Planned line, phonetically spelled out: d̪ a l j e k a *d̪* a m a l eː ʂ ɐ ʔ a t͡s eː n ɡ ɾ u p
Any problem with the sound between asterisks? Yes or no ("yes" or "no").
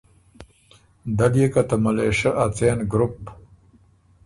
yes